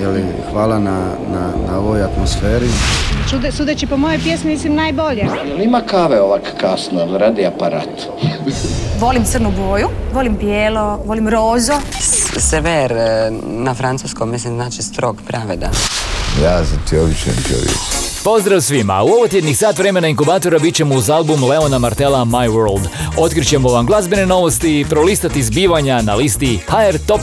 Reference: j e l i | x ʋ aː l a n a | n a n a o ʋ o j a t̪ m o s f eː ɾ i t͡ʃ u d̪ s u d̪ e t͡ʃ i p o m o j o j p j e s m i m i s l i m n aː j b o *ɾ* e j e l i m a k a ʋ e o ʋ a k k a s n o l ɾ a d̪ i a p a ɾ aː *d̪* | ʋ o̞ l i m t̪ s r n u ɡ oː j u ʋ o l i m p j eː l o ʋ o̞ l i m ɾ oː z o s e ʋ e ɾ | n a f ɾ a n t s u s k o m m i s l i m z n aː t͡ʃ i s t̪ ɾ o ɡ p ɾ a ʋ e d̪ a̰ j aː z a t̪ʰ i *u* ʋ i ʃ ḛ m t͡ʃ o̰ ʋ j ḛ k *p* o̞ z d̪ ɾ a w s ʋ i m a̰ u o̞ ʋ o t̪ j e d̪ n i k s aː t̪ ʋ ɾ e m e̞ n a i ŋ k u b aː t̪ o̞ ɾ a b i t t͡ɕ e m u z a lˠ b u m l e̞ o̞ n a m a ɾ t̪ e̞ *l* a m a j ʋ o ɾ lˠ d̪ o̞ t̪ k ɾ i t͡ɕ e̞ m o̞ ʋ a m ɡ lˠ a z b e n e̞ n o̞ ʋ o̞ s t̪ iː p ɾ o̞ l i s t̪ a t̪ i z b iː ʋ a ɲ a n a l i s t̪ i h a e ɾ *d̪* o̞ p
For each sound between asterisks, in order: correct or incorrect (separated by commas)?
incorrect, incorrect, incorrect, correct, correct, incorrect